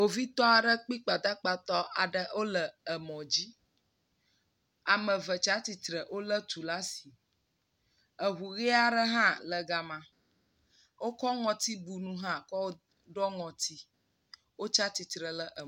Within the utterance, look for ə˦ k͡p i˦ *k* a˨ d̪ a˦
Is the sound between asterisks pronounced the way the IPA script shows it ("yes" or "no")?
no